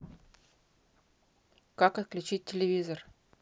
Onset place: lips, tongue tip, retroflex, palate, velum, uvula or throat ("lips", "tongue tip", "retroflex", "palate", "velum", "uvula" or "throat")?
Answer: velum